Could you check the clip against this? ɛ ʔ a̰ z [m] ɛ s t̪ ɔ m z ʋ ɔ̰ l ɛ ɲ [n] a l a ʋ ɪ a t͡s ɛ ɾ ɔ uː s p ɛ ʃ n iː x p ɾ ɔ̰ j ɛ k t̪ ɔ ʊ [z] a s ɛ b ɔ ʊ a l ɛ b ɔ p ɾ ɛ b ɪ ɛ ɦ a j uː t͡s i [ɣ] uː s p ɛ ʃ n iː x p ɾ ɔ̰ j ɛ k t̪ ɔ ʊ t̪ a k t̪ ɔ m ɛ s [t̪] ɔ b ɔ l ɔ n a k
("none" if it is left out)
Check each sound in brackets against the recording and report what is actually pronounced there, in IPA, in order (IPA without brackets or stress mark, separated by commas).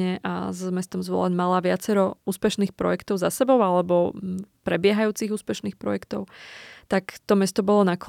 m, m, z, ɣ, t̪